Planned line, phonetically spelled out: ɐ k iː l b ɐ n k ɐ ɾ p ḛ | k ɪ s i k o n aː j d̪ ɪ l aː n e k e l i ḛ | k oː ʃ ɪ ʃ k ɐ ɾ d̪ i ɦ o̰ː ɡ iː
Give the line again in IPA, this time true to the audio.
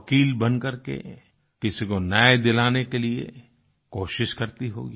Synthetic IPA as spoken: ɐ k iː l b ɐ n k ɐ ɾ k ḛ | k ɪ s i k o n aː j d̪ ɪ l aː n e k e l i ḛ | k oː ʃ ɪ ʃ k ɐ ɾ t̪ i ɦ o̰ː ɡ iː

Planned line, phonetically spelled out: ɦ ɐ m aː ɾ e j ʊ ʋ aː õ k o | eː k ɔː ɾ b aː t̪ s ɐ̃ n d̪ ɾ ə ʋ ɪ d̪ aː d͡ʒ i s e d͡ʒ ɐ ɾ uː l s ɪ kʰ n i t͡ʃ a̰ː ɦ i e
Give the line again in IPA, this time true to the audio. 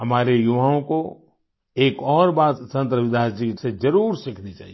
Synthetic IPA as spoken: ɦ ɐ m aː ɾ e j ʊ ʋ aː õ k o | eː k ɔː ɾ b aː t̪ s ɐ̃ n t̪ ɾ ə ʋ ɪ d̪ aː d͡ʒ i s e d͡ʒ ɐ ɾ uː ɾ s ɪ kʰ n i t͡ʃ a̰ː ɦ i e

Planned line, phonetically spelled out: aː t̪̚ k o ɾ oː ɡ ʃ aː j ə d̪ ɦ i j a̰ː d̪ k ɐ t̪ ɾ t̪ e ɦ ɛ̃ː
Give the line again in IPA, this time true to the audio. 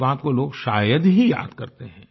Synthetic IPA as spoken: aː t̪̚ k o l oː ɡ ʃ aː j ə d̪ ɦ i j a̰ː d̪ k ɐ ɾ t̪ e ɦ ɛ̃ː

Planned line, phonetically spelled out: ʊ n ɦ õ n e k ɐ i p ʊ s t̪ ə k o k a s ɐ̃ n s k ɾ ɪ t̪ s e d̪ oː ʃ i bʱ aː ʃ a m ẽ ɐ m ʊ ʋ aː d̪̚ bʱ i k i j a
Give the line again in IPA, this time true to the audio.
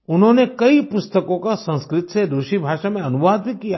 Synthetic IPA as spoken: ʊ n ɦ õ n e k ɐ i p ʊ s t̪ ə k õ k a s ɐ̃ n s k ɾ ɪ t̪ s e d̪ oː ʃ i bʱ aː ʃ a m ẽ ɐ n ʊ ʋ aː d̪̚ bʱ i k i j a

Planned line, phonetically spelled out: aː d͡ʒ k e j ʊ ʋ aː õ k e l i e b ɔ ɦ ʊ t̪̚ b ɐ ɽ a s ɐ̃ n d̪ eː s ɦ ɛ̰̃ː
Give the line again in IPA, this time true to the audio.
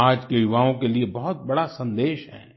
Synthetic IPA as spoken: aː d͡ʒ k e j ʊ ʋ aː õ k e l i e b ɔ ɦ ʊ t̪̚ b ɐ ɽ a s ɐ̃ n d̪ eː ʃ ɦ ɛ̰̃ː

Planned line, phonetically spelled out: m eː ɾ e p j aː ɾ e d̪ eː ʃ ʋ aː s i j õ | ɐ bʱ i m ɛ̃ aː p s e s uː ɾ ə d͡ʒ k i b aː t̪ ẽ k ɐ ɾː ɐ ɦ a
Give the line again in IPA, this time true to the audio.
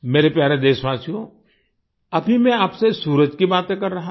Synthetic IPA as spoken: m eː ɾ e p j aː ɾ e d̪ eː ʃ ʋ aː s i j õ | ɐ bʱ i m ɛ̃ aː p s e s uː ɾ ə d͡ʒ k i b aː t̪ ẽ k ɐ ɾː ɐ ɦ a

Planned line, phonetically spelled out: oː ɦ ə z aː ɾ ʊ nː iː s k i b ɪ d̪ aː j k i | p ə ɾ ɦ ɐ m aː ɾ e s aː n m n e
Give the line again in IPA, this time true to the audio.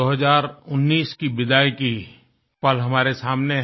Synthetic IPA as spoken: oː ɦ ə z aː ɾ ʊ nː iː s k i b ɪ d̪ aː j k i | p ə l ɦ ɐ m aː ɾ e s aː m n e

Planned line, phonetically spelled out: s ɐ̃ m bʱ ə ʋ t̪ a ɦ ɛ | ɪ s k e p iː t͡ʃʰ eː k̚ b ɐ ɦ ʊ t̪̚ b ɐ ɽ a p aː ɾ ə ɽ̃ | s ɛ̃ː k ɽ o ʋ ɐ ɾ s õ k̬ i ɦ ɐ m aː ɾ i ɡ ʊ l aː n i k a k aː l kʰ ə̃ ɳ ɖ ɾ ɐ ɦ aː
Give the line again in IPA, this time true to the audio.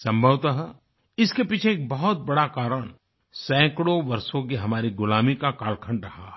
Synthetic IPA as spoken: s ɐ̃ m bʱ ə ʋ t̪ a ɦ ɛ | ɪ s k e p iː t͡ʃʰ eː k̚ b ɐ ɦ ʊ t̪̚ b ɐ ɽ a k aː ɾ ə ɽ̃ | s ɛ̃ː k ɽ o ʋ ɐ ɾ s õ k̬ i ɦ ɐ m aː ɾ i ɡ ʊ l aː m i k a k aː l kʰ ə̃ ɳ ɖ ɾ ɐ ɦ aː

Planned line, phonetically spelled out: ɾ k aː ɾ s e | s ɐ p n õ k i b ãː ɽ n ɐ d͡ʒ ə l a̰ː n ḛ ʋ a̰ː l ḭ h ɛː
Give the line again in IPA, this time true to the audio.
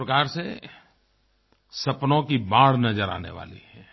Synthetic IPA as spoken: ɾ k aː ɾ s e | s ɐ p n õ k i b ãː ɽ n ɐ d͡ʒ ə ɾ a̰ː n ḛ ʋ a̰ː l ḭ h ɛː

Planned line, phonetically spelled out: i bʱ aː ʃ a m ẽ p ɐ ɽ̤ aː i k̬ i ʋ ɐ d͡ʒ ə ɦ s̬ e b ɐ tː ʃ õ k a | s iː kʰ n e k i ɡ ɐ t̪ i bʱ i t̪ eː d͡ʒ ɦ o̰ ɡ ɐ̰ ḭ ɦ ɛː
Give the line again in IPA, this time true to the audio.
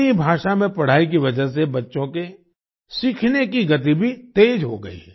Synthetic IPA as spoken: i bʱ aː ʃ a m ẽ p ɐ ɽ̤ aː i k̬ i ʋ ɐ d͡ʒ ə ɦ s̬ e b ɐ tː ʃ õ k e | s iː kʰ n e k i ɡ ɐ t̪ i bʱ i t̪ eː d͡ʒ ɦ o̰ ɡ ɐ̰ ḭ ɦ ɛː

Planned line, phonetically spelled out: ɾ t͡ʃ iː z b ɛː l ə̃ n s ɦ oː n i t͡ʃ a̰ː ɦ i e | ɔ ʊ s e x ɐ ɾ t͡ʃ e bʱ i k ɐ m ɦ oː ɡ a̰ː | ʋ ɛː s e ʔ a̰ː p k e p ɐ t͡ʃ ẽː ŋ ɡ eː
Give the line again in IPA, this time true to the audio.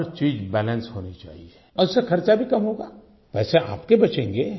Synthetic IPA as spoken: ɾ t͡ʃ iː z b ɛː l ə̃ n s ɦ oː n i t͡ʃ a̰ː ɦ i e | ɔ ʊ s e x ɐ ɾ t͡ʃ a bʱ i k ɐ m ɦ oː ɡ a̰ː | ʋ ɛː s e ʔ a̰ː p k e b ɐ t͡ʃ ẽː ŋ ɡ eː

